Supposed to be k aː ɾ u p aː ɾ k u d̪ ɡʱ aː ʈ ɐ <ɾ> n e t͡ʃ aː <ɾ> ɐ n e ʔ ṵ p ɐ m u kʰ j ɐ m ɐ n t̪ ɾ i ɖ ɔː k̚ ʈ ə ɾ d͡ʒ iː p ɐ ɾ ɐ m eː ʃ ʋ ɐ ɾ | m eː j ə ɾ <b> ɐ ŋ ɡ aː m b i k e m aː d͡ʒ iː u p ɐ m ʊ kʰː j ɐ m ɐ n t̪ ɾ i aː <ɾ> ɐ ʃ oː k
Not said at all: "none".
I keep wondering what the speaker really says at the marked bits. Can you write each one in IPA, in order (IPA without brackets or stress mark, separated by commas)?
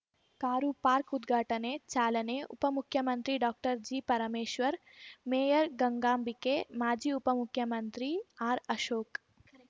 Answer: none, l, ɡ, ɾ